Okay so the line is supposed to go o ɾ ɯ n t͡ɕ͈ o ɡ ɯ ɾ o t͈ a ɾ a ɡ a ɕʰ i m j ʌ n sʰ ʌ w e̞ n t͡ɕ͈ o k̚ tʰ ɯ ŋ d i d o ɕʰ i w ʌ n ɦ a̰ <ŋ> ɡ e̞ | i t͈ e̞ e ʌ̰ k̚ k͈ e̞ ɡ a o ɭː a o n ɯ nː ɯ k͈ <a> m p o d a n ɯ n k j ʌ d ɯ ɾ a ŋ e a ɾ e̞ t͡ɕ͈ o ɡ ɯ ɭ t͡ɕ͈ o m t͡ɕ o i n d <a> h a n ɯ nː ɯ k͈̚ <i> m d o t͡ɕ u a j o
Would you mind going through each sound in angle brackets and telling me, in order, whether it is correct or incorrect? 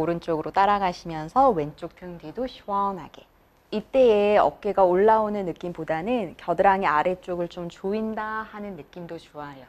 incorrect, incorrect, correct, correct

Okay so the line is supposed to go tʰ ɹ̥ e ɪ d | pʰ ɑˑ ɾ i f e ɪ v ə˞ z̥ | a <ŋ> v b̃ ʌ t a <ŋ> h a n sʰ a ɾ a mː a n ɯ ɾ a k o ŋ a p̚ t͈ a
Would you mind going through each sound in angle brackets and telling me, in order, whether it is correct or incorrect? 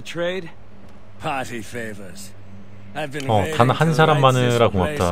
incorrect, incorrect

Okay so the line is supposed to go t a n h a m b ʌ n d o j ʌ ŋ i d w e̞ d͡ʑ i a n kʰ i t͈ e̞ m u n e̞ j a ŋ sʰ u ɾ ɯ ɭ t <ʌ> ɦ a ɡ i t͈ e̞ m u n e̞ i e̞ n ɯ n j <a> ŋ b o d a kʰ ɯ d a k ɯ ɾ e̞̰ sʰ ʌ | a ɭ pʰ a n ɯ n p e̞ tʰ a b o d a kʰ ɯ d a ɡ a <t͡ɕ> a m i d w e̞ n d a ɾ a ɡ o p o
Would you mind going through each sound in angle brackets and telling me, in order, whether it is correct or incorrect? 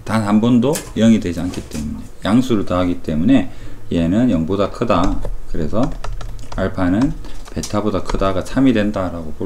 incorrect, incorrect, incorrect

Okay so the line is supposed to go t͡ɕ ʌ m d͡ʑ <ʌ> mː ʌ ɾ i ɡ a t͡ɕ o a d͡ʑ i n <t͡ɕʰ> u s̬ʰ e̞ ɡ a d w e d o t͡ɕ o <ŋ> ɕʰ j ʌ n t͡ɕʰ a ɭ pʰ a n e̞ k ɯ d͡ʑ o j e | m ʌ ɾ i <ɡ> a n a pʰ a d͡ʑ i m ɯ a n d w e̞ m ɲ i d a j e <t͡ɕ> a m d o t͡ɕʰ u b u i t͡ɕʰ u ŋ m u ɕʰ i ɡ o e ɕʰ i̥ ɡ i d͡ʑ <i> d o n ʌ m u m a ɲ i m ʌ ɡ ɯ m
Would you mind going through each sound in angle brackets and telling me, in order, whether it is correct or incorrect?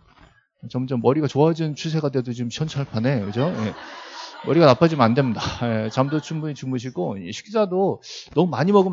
correct, correct, incorrect, correct, correct, incorrect

